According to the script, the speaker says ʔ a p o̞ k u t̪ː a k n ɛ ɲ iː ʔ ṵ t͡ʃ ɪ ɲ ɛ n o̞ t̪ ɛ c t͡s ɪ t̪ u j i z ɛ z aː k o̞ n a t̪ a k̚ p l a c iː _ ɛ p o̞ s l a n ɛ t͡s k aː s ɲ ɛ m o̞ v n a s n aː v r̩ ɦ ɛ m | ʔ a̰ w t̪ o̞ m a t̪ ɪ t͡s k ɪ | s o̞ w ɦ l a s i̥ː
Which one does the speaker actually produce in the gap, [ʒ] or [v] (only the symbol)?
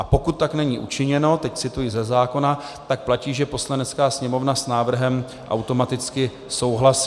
ʒ